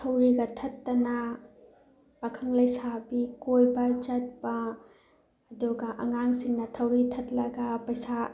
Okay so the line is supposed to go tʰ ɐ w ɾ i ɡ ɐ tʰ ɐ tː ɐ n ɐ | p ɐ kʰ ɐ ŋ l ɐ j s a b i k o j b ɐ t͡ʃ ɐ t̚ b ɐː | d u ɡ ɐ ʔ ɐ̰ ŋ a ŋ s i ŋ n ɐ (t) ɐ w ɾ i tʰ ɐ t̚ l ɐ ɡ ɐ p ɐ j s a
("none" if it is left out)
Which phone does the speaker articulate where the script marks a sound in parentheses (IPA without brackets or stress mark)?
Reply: tʰ